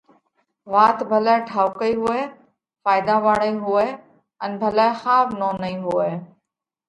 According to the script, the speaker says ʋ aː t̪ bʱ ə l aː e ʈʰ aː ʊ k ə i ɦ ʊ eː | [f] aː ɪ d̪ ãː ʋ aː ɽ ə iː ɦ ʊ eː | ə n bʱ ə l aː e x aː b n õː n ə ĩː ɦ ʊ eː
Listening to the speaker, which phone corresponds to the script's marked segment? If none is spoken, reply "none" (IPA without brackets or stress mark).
f